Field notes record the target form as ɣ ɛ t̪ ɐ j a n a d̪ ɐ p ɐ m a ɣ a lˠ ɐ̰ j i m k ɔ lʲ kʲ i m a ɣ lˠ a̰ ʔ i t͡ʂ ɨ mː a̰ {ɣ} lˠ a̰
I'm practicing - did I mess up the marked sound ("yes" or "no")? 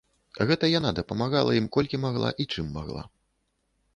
no